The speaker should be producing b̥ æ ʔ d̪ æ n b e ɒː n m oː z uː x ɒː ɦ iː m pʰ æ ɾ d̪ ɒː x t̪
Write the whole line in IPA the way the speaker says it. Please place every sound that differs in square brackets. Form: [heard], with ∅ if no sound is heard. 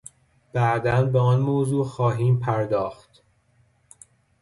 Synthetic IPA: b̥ æ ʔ d̪ æ n b e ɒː n m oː z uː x ɒː ɦ iː m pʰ æ ɾ d̪ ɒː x t̪

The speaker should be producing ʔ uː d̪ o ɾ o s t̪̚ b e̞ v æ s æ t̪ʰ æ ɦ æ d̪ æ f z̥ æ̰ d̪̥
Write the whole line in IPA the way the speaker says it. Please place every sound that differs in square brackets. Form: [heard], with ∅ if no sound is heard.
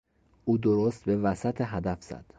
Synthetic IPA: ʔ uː d̪ o ɾ o s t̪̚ b e̞ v æ s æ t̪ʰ [e] ɦ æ d̪ æ f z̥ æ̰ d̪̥

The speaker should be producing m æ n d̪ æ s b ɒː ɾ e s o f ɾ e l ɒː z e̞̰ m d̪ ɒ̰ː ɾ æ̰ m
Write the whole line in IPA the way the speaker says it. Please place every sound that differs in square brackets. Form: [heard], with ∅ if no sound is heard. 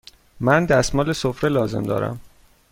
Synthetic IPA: m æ n d̪ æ s [m] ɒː [l] e s o f ɾ e l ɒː z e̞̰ m d̪ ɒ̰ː ɾ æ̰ m

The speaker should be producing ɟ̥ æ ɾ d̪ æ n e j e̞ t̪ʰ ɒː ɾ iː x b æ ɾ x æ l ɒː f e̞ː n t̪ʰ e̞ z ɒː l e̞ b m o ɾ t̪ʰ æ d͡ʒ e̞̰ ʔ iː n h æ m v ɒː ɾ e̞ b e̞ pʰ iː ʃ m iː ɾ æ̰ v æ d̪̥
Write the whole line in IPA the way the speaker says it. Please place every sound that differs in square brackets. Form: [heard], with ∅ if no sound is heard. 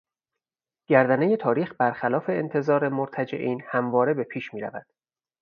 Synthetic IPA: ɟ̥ æ ɾ d̪ æ n e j e̞ t̪ʰ ɒː ɾ iː x b æ ɾ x æ l ɒː f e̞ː n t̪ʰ e̞ z ɒː [ɾ] e̞ [∅] m o ɾ t̪ʰ æ d͡ʒ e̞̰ ʔ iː n h æ m v ɒː ɾ e̞ b e̞ pʰ iː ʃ m iː ɾ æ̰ v æ d̪̥

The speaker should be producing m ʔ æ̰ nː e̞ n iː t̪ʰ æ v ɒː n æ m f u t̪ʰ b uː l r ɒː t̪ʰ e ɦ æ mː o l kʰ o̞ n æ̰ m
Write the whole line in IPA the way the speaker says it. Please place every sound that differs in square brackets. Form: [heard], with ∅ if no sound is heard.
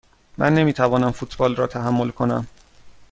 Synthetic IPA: m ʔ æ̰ nː e̞ [m] iː t̪ʰ æ v ɒː n æ m f u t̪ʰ b [ɒː] l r ɒː t̪ʰ [æ] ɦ æ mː o l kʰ o̞ n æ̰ m

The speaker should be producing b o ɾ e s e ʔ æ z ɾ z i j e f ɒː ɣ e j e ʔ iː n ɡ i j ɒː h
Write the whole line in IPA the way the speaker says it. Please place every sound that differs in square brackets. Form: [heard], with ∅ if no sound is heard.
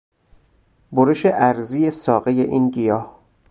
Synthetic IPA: b o ɾ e [ʃ] e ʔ æ [∅] ɾ z i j e [s] ɒː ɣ e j e ʔ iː n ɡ i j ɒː h

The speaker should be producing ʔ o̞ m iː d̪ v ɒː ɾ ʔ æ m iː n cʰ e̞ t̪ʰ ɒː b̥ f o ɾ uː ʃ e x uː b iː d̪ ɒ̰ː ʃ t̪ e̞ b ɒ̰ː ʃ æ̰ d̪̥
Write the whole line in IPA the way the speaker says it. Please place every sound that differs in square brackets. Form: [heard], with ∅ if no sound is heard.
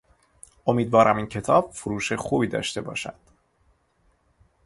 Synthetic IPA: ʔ o̞ m iː d̪ v ɒː ɾ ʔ æ m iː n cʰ e̞ t̪ʰ ɒː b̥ f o ɾ uː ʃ e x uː b iː d̪ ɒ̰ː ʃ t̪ e̞ b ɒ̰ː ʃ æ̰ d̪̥

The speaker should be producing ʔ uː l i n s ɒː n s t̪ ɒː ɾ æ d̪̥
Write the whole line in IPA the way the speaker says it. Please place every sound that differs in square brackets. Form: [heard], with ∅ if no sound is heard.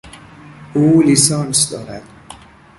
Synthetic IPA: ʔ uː l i [∅] s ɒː n s [d̪] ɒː ɾ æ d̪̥

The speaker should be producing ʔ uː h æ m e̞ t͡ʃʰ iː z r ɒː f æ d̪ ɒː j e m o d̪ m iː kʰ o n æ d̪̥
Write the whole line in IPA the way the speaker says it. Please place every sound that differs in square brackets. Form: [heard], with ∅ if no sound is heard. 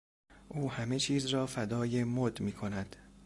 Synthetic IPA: ʔ uː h æ m e̞ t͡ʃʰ iː z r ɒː f æ d̪ ɒː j e m o d̪ m iː kʰ o n æ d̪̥

